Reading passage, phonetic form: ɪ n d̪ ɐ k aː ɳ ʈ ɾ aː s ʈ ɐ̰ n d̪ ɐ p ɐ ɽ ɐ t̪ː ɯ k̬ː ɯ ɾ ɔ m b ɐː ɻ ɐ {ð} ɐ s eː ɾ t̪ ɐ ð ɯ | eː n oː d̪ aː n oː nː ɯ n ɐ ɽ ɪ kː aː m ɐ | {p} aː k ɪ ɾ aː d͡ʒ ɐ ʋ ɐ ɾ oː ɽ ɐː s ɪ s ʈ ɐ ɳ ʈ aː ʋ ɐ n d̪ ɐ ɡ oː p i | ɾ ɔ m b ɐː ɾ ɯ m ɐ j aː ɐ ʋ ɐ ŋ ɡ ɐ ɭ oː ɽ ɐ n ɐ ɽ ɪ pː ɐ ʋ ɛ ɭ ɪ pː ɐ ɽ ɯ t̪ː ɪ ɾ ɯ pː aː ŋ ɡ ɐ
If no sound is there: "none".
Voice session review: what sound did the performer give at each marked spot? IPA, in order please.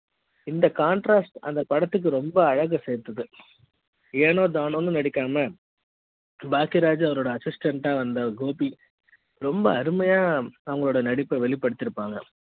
ɣ, b

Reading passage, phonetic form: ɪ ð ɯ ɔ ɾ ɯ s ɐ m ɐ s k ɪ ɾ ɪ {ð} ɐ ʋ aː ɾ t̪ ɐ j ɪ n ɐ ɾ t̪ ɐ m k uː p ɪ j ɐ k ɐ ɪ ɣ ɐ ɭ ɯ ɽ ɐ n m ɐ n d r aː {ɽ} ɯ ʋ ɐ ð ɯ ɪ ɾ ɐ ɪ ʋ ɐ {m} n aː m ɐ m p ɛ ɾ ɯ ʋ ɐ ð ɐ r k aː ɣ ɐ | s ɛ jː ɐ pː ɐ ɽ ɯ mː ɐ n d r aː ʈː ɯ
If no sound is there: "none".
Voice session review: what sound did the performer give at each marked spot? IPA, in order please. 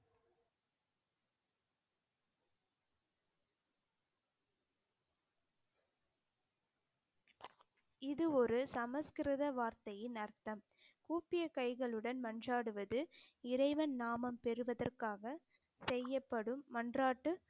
ð, ɽ, n

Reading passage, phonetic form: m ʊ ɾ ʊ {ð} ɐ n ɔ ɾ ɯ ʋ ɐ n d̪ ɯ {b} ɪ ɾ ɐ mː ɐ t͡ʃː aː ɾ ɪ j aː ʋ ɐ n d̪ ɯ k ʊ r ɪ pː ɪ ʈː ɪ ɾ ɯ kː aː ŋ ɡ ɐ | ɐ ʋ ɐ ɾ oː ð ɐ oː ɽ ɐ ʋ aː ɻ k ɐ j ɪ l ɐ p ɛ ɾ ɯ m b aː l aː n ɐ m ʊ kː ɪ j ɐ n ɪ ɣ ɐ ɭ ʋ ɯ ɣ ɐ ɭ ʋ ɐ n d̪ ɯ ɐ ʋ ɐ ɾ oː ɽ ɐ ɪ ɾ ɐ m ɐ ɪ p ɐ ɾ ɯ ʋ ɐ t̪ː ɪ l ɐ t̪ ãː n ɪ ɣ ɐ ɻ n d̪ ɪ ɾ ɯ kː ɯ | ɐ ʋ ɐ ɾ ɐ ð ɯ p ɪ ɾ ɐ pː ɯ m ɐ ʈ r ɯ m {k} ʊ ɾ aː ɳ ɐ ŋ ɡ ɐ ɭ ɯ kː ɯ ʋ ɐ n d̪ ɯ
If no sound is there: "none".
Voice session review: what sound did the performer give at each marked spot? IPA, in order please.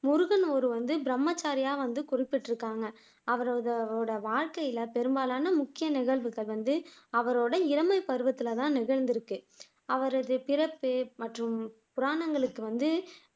ɣ, b, p

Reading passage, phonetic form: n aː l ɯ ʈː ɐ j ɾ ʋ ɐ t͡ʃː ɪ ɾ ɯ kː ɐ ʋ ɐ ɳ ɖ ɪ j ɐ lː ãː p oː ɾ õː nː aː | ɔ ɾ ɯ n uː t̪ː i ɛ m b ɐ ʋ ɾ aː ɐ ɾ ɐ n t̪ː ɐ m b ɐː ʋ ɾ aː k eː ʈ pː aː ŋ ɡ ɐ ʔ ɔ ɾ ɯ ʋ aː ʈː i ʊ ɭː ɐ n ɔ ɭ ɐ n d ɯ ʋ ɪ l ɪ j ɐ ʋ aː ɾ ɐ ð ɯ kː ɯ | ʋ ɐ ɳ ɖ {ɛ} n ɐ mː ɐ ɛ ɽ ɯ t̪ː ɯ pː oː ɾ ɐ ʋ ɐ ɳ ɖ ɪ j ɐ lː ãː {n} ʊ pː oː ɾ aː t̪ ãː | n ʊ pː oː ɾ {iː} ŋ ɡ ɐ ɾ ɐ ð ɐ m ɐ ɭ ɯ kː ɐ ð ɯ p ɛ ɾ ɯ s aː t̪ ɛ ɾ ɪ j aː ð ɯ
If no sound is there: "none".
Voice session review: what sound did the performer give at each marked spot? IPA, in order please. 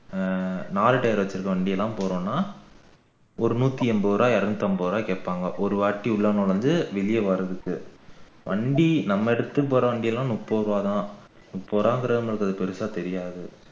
i, n, aː

